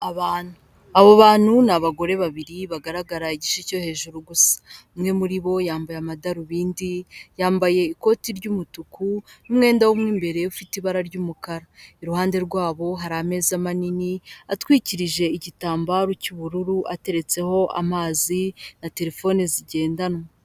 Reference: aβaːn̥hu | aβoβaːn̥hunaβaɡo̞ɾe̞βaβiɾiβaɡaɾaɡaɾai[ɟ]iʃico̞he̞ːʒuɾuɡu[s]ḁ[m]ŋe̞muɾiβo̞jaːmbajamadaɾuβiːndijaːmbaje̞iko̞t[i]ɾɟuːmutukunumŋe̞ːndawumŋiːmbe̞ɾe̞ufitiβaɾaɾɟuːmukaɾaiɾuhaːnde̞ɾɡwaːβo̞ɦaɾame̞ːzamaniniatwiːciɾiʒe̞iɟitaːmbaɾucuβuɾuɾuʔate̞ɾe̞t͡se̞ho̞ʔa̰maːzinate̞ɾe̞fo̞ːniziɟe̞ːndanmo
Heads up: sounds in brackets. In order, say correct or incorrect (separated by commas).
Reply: correct, correct, correct, correct